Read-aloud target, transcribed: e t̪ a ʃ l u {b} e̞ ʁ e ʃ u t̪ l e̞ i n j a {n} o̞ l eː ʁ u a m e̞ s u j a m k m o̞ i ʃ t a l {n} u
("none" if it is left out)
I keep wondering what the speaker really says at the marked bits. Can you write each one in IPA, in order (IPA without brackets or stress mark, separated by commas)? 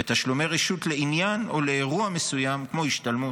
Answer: m, n, m